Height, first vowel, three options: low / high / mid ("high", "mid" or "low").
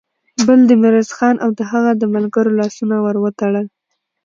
mid